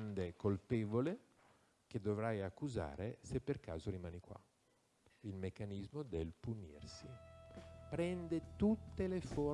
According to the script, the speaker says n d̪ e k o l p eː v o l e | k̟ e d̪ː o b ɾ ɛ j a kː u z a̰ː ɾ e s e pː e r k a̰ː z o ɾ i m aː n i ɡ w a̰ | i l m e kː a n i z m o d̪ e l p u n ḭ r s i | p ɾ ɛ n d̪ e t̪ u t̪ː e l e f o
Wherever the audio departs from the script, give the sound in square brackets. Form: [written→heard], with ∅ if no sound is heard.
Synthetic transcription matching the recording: n d̪ e k o l p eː v o l e | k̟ e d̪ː o [b→v] ɾ [ɛ→a] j a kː u z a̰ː ɾ e s e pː e r k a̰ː z o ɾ i m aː n i [ɡ→k] w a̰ | i l m e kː a n i z m o d̪ e l p u n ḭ r s i | p ɾ ɛ n d̪ e t̪ u t̪ː e l e f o